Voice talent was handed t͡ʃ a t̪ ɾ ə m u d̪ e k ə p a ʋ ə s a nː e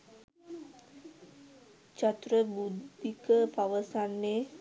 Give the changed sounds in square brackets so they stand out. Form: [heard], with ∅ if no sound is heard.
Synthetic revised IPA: t͡ʃ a t̪ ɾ ə [b] u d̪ [i] k ə p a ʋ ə s a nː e